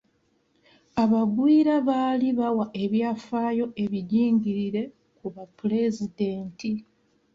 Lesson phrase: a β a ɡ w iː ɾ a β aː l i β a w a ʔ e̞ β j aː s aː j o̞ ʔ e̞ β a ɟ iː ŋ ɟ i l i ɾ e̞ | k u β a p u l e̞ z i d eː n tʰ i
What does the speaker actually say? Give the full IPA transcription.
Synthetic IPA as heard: a β a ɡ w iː ɾ a β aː l i β a w a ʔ e̞ β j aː f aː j o̞ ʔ e̞ β i ɟ iː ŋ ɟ i ɾ i ɾ e̞ | k u β a p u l e̞ z i d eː n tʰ i